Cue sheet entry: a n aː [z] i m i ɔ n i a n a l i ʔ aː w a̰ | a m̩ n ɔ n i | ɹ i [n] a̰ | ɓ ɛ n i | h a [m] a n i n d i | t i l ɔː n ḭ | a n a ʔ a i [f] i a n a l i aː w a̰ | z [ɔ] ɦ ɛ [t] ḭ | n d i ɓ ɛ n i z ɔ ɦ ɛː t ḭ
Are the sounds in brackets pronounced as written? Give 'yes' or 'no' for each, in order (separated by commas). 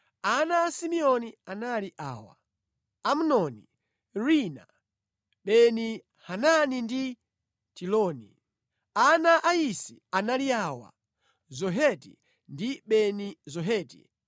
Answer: no, yes, no, no, yes, yes